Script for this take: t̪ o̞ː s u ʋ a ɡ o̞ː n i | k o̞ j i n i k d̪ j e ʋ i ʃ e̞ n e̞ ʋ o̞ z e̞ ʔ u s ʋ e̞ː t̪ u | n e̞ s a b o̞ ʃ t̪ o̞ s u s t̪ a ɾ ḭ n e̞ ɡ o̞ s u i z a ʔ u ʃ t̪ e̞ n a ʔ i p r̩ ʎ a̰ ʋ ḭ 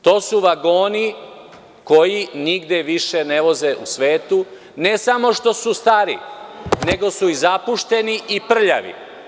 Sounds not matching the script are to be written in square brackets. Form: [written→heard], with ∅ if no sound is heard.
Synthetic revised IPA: t̪ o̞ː s u ʋ a ɡ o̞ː n i | k o̞ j i n i [k→ɡ] d̪ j e ʋ i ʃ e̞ n e̞ ʋ o̞ z e̞ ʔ u s ʋ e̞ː t̪ u | n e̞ s a [b→m] o̞ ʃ t̪ o̞ s u s t̪ a ɾ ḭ n e̞ ɡ o̞ s u i z a [ʔ→p] u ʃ t̪ e̞ n [a→i] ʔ i p r̩ ʎ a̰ ʋ ḭ